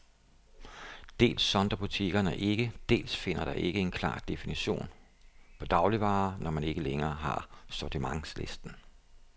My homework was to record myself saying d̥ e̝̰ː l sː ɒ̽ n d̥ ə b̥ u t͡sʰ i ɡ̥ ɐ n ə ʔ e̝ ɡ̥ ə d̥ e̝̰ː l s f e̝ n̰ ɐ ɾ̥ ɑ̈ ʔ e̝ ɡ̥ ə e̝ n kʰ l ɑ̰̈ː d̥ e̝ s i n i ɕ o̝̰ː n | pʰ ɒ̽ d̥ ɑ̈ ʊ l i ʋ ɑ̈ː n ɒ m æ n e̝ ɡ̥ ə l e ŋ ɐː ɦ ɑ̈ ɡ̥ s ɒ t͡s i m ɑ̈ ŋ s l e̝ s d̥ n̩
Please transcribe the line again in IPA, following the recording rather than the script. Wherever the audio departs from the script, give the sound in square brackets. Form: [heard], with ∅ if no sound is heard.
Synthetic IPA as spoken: d̥ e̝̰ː l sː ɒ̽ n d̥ [ɐ] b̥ u t͡sʰ i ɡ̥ ɐ n ə ʔ e̝ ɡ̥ ə d̥ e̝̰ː l s f e̝ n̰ ɐ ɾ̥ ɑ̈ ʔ e̝ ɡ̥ ə e̝ n kʰ l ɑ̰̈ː d̥ e̝ [f] i n i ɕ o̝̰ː n | pʰ ɒ̽ d̥ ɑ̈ ʊ l i ʋ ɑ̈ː n ɒ m æ n e̝ ɡ̥ ə l e ŋ ɐː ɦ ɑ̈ [∅] s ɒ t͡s i m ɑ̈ ŋ s l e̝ s d̥ n̩